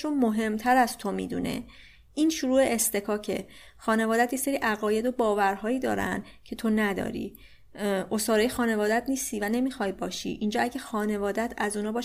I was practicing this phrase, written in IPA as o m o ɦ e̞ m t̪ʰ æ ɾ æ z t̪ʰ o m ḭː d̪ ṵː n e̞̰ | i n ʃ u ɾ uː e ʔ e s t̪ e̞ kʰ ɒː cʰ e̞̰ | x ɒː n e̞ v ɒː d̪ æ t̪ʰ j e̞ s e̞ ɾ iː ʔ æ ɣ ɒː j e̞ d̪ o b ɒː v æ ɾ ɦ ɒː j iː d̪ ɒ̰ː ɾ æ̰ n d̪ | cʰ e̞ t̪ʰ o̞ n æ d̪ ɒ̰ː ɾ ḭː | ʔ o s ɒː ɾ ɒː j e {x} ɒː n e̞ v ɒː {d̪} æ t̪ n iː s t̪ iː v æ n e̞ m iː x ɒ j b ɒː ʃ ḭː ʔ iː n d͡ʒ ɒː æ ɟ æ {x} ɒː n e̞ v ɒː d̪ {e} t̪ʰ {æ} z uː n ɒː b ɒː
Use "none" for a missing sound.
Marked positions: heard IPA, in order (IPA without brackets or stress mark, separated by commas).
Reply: x, d̪, x, æ, æ